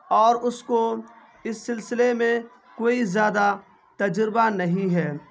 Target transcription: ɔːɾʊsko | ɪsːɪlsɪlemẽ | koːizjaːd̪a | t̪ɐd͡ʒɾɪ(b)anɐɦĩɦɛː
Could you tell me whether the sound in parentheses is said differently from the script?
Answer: no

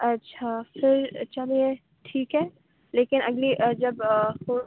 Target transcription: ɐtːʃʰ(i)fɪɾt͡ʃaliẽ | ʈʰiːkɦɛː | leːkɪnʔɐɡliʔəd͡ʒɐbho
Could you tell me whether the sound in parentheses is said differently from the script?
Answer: yes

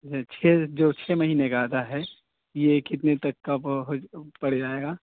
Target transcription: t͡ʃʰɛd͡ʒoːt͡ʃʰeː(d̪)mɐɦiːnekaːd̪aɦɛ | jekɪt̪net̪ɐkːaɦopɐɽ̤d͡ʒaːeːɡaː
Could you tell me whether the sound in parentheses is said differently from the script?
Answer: yes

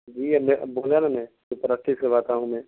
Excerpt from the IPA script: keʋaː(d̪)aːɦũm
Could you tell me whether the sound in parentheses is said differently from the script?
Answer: yes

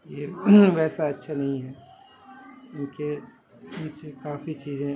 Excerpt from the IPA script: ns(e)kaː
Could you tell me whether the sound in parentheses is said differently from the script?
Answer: no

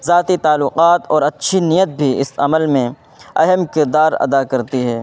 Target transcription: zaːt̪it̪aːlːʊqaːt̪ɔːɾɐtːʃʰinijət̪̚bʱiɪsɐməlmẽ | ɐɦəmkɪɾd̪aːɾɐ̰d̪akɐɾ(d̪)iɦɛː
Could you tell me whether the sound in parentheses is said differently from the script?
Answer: yes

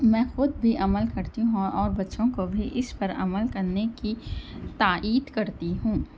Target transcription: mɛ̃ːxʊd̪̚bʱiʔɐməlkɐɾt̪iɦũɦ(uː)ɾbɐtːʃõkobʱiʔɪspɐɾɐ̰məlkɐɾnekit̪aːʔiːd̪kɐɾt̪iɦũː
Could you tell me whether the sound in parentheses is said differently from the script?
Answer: yes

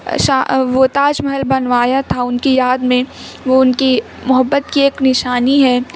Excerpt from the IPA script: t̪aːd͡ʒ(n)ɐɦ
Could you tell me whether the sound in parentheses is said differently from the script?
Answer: yes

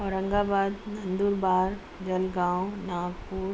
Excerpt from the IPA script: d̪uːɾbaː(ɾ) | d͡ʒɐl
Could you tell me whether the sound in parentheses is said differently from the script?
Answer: no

